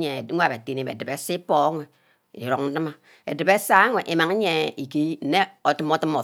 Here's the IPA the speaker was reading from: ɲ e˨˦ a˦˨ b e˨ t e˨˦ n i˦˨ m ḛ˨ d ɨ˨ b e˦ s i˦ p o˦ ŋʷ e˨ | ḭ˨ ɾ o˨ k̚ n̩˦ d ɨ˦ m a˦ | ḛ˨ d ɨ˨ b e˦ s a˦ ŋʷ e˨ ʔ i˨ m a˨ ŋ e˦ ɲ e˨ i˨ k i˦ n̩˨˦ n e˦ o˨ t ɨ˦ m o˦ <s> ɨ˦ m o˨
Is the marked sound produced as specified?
no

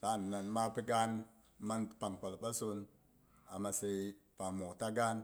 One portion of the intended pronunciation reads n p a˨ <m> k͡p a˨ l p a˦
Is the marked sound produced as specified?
no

